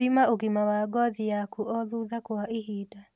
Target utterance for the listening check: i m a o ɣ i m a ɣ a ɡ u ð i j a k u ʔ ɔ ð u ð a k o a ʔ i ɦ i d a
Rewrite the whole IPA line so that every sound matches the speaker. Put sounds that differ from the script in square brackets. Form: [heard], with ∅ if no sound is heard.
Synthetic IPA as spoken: i m a o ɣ i m a [w] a ɡ [ɔ] ð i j a k u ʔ ɔ ð u ð a k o a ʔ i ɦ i d a